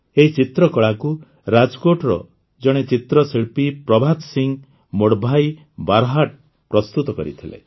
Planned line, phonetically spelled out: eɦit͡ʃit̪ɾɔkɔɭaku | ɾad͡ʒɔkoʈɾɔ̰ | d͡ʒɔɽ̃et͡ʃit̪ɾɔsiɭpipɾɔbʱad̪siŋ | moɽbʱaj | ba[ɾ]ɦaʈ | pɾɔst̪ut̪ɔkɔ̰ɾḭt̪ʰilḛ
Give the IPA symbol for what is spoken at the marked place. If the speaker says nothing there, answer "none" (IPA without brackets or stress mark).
ɾ